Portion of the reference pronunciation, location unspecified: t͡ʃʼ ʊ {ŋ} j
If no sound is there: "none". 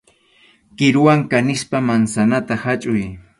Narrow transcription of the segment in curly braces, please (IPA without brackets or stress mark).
none